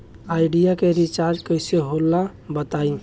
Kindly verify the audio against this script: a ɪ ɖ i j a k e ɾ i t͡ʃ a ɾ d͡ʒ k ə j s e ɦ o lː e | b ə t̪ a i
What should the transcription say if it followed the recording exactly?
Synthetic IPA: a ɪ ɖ i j a k e ɾ i t͡ʃ a ɾ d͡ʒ k ə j s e ɦ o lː a | b ə t̪ a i